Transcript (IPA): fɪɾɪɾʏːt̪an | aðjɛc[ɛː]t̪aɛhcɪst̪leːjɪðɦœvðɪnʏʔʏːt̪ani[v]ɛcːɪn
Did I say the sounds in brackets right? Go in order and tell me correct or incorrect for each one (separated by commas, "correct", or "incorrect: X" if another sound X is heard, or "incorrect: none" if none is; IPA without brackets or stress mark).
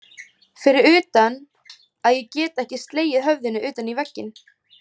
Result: correct, correct